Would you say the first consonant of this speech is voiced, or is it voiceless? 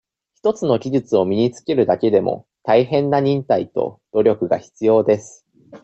voiceless